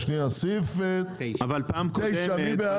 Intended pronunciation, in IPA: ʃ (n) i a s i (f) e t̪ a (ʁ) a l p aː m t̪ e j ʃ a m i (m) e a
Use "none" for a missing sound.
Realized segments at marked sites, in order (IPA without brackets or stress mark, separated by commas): n, f, v, b